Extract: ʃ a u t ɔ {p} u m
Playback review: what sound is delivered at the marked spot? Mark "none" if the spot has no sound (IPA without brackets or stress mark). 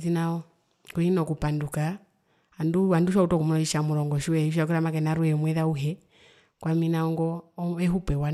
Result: k